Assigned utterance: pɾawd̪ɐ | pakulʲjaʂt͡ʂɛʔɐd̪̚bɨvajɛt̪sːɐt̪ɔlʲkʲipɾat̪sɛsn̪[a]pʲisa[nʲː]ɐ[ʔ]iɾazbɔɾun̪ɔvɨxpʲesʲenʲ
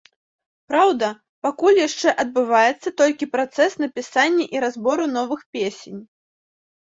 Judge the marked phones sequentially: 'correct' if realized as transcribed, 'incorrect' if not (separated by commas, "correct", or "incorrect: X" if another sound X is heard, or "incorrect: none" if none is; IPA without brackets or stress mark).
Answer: incorrect: ɐ, correct, correct